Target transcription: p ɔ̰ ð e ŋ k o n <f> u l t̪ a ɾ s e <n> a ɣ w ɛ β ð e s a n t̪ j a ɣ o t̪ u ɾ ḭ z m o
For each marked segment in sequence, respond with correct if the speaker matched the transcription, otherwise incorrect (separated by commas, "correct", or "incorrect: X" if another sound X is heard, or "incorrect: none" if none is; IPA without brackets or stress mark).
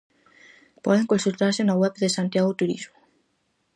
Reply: incorrect: s, correct